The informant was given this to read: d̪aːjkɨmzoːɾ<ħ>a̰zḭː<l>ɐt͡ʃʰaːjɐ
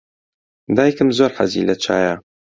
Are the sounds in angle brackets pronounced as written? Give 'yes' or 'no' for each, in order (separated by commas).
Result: yes, yes